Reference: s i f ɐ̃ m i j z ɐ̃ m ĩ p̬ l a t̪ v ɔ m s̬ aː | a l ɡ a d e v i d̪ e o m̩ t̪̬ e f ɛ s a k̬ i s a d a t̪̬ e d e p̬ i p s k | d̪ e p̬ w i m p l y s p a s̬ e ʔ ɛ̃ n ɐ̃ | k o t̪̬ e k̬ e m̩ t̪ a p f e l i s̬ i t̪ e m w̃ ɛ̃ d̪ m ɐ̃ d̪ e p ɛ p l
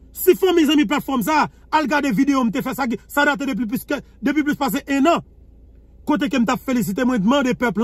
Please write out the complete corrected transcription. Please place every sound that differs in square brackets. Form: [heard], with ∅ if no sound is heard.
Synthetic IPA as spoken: s i f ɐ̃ m i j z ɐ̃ m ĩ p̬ l a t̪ [f] ɔ m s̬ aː | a l ɡ a d e v i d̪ e o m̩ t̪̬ e f ɛ s a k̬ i s a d a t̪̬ e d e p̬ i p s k | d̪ e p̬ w i [∅] p l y s p a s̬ e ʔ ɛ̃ n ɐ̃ | k o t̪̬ e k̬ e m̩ t̪ a p f e l i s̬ i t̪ e m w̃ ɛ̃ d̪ m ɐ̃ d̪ e p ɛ p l